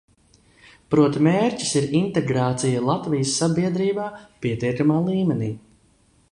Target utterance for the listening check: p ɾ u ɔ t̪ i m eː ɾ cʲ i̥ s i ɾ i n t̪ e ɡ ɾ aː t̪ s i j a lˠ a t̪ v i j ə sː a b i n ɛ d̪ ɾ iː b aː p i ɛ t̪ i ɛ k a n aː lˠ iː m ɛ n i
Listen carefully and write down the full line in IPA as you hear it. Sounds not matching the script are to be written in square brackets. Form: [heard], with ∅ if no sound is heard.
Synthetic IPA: p ɾ u ɔ t̪ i m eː ɾ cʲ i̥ s i ɾ i n t̪ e ɡ ɾ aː t̪ s i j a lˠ a t̪ v i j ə sː a b i [∅] ɛ d̪ ɾ iː b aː p i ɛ t̪ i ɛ k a [m] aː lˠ iː m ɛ n [iː]